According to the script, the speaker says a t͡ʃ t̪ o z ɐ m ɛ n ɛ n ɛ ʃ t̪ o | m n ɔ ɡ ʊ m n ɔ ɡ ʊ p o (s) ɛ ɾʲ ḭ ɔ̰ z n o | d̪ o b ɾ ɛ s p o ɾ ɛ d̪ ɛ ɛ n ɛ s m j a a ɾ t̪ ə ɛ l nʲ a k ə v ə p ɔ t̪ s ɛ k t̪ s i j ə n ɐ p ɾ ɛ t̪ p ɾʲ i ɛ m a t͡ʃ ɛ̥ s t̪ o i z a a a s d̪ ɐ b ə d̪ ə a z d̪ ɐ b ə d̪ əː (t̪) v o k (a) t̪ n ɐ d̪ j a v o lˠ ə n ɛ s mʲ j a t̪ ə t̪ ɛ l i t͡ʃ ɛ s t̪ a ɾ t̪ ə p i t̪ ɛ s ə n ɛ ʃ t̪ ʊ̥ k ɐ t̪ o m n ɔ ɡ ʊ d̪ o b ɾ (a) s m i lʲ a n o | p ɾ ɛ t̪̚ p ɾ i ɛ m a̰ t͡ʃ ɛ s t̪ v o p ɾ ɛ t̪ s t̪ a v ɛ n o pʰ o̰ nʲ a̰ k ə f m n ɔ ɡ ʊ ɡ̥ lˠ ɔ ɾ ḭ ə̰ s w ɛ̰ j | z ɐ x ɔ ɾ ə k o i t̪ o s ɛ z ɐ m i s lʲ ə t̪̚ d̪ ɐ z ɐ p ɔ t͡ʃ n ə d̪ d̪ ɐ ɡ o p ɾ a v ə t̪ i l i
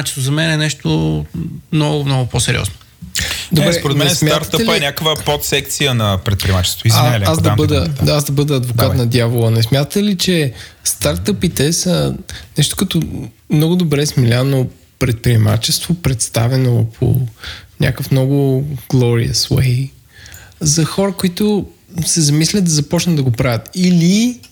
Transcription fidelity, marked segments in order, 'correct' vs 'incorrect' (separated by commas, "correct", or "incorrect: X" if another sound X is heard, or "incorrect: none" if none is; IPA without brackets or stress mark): correct, incorrect: d̪, correct, incorrect: ɛ